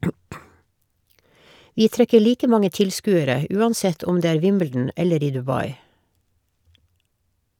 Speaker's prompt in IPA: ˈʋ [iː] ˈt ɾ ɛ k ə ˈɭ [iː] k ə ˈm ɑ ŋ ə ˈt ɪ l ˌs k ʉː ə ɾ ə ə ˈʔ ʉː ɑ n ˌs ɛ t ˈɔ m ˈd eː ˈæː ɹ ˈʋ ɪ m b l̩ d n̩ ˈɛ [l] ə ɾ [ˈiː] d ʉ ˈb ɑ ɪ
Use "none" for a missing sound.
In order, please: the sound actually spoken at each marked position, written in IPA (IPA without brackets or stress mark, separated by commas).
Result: iː, iː, l, iː